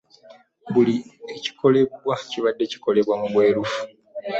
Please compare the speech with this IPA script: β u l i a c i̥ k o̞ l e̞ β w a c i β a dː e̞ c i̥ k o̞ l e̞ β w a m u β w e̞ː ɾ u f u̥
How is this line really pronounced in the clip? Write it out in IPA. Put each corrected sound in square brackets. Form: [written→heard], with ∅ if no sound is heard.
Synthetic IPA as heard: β u l i [a→e] c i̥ k o̞ l e̞ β w a c i β a dː e̞ c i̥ k o̞ l e̞ β w a m u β w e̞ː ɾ u f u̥